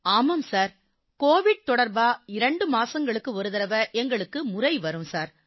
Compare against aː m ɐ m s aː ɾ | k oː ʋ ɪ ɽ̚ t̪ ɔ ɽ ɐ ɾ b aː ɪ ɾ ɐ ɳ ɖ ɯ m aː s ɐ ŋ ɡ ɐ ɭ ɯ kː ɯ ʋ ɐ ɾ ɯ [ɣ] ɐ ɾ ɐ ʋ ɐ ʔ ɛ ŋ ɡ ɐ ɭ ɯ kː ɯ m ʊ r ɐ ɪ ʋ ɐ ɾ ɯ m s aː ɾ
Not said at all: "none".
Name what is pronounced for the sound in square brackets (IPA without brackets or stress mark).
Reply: ð